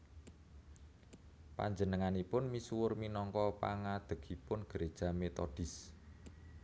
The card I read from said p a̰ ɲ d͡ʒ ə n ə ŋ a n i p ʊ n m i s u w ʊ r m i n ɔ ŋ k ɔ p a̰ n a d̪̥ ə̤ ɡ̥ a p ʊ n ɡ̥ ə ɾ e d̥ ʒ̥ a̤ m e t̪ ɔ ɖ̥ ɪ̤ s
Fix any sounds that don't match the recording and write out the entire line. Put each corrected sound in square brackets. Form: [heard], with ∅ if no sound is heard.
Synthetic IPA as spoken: p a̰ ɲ d͡ʒ ə n ə ŋ a n i p ʊ n m i s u w ʊ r m i n ɔ ŋ k ɔ p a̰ [ŋ] a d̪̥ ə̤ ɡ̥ [i] p ʊ n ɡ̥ ə ɾ e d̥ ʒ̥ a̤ m e t̪ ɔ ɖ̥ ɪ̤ s